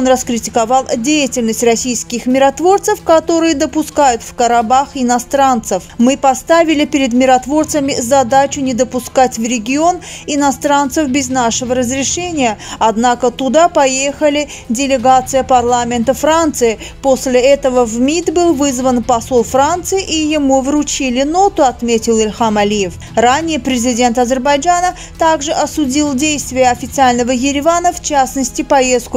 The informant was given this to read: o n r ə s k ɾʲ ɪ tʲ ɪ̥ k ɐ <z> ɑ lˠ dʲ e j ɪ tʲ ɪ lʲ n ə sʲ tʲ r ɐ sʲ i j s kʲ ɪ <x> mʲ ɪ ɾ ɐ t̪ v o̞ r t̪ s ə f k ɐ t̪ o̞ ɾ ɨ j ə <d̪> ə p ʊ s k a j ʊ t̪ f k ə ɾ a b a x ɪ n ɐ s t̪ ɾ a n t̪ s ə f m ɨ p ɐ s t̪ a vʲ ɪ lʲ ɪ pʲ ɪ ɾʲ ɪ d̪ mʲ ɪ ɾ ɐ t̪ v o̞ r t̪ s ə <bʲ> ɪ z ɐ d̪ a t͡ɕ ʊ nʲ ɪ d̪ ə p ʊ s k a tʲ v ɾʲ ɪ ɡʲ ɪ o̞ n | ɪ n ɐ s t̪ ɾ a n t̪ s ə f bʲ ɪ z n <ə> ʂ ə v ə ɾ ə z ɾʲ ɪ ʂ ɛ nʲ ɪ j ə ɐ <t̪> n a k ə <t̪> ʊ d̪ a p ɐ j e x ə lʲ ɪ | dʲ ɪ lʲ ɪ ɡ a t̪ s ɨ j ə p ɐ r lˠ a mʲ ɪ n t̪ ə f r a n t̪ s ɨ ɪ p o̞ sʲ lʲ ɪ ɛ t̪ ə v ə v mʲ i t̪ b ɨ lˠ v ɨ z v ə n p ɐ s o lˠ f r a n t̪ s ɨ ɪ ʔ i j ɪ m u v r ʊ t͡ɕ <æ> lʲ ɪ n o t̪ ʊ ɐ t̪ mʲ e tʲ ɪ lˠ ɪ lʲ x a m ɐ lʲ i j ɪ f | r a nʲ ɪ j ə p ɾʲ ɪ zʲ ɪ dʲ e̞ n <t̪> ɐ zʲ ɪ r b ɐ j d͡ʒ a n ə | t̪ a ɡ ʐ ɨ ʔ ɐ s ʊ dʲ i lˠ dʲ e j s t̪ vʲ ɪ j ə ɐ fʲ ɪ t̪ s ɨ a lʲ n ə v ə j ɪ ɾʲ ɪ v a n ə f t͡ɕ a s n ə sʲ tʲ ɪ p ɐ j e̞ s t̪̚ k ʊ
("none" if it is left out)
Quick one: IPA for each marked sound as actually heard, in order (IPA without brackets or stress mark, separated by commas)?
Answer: v, x, d̪, mʲ, a, d̪, t̪, i, t̪